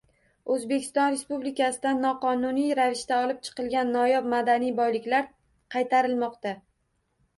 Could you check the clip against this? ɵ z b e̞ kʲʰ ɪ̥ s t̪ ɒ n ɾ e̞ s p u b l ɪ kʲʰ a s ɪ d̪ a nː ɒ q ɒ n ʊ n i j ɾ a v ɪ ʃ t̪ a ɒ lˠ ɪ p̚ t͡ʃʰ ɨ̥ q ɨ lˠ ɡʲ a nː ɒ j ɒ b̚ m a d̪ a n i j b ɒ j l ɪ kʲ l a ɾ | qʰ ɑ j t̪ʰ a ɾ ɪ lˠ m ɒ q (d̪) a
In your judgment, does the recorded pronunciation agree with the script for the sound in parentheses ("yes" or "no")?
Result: no